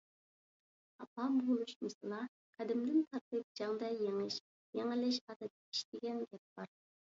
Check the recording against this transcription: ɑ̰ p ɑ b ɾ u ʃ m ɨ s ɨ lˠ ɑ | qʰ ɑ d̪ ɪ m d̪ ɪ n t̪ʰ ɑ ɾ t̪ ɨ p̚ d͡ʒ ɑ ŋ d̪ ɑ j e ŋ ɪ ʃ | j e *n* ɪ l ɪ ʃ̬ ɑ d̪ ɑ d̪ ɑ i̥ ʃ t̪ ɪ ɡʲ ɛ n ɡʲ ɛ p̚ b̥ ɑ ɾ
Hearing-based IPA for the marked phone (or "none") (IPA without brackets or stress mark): ŋ